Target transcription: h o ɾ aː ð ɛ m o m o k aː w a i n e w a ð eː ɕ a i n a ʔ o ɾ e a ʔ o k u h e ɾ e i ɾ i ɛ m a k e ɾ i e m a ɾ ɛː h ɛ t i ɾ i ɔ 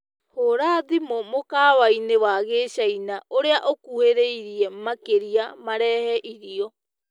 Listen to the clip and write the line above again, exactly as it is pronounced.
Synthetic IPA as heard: h o ɾ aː ð i m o m o k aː w a i n e w a ɣ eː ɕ a i n a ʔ o ɾ e a ʔ o k u h e ɾ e i ɾ i ɛ m a k e ɾ i a m a ɾ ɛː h ɛ ʔ i ɾ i ɔ